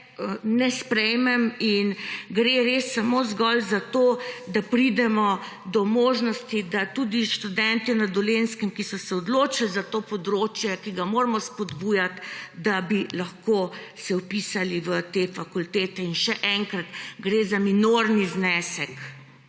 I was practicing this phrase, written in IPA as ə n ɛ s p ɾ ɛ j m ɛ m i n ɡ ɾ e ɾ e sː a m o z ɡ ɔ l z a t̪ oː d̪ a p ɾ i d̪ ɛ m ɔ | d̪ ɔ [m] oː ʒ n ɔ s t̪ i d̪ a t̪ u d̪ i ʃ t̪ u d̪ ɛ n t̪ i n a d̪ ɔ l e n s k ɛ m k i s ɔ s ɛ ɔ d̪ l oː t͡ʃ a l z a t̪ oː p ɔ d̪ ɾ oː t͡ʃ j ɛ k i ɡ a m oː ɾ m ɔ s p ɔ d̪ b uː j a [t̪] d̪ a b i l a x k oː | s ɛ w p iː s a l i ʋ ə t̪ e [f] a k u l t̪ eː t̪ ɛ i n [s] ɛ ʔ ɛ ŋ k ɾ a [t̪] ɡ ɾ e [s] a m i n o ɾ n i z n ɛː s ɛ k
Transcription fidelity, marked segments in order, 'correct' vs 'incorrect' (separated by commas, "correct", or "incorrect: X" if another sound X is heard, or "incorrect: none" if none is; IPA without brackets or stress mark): correct, correct, correct, incorrect: ʃ, correct, incorrect: z